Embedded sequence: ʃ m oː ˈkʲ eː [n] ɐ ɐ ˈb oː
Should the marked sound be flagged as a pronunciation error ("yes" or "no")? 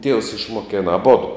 no